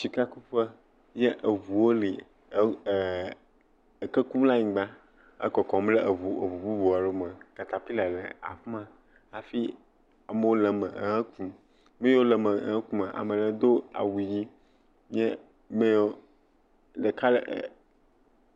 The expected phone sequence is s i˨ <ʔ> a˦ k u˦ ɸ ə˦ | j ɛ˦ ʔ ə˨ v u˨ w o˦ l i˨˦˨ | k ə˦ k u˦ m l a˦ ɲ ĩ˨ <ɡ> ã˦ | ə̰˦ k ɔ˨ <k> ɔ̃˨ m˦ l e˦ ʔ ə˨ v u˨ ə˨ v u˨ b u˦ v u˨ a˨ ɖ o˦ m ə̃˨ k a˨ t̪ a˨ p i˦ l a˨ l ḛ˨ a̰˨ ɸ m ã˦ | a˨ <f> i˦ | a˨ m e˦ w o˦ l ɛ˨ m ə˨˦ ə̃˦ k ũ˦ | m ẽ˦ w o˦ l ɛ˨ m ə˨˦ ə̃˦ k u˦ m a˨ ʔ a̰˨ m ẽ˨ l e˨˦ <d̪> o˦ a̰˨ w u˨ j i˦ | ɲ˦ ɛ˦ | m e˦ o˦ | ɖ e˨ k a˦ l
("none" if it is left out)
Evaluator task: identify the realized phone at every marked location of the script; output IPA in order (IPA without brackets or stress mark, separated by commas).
k, ɡ͡b, k, f, d̪